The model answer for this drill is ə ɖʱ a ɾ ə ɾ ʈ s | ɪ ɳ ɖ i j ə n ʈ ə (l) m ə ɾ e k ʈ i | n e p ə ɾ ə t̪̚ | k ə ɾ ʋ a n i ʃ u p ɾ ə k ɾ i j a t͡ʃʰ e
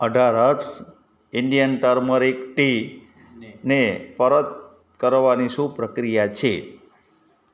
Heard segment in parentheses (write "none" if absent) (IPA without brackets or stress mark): ɾ